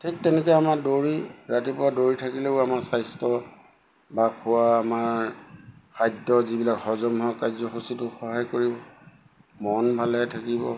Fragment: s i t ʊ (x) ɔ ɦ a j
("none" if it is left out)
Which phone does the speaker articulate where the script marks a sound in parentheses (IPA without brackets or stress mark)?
x